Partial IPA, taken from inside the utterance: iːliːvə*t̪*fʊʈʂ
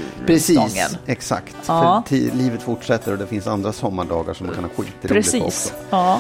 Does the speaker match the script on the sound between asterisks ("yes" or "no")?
yes